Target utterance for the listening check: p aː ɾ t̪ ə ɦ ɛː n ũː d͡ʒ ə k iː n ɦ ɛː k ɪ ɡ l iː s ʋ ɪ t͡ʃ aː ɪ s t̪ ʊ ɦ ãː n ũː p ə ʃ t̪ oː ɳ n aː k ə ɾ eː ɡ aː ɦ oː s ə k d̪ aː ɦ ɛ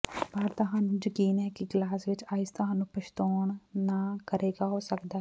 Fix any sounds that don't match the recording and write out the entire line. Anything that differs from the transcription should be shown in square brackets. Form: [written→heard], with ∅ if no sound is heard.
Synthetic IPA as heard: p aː ɾ t̪ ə ɦ [ɛː→aː] n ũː d͡ʒ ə k iː n ɦ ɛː k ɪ ɡ l [iː→aː] s ʋ ɪ t͡ʃ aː ɪ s t̪ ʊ ɦ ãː n ũː p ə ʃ t̪ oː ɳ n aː k ə ɾ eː ɡ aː ɦ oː s ə k d̪ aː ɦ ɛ